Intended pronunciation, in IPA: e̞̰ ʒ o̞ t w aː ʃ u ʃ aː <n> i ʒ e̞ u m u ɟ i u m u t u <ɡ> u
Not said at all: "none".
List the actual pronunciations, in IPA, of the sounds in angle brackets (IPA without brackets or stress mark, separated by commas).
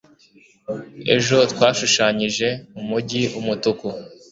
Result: ɲ, k